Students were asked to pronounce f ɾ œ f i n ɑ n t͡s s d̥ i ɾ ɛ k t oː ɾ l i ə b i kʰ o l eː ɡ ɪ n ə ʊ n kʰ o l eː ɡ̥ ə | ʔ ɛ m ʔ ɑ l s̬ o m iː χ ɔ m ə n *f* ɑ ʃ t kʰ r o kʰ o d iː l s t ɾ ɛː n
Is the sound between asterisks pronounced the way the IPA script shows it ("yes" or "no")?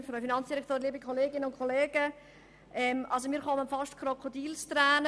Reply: yes